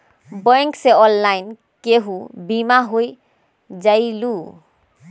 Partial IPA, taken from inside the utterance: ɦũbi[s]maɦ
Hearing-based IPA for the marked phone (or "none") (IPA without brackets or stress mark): none